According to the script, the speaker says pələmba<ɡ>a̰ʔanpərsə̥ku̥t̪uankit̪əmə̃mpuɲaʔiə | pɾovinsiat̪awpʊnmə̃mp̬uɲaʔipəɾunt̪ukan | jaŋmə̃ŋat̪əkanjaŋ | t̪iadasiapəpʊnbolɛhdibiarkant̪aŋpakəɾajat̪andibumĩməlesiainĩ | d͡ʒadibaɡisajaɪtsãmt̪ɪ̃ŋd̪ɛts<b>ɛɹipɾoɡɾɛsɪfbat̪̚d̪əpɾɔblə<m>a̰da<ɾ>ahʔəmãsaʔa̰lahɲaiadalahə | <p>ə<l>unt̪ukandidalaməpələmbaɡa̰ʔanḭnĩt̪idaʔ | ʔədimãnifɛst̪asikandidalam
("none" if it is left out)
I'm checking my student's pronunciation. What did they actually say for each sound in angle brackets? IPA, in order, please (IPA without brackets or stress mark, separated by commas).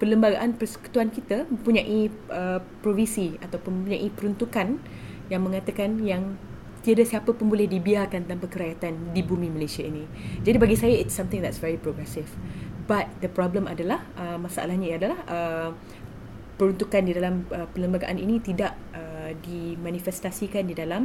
ɡ, v, m, l, p, ɾ